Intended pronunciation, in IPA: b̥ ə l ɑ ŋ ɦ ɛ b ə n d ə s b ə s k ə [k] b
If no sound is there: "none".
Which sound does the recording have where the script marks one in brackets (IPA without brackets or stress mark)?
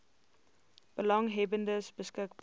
k